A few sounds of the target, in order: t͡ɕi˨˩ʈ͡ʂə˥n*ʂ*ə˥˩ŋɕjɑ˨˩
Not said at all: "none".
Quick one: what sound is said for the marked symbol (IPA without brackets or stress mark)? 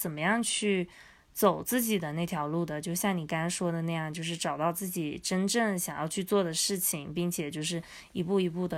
ʈ͡ʂ